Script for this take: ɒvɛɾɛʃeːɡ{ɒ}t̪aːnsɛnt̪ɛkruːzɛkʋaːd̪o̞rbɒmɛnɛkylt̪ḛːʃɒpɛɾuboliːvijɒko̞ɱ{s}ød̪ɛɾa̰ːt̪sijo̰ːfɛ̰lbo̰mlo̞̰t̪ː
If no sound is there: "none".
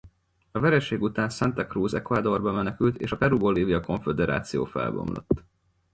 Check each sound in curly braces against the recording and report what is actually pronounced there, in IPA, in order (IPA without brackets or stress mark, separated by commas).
u, f